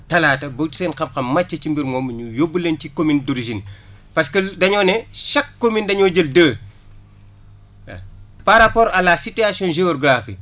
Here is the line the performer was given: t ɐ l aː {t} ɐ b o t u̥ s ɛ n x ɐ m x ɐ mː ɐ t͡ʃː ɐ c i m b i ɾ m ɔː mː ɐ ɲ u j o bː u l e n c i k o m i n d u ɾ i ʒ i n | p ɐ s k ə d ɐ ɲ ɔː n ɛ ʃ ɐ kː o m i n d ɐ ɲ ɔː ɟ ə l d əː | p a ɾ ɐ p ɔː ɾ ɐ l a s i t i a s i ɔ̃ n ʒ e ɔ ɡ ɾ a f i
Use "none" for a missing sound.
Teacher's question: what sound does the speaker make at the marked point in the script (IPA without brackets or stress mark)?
t